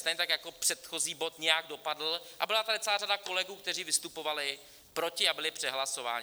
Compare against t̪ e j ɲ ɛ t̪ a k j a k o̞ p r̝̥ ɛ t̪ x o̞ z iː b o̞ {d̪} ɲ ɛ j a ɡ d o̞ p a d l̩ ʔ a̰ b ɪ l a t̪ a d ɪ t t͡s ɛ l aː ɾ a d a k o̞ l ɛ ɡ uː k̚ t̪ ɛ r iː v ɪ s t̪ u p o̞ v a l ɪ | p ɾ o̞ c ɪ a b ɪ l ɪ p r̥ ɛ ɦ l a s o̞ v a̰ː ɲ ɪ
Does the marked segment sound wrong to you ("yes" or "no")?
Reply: yes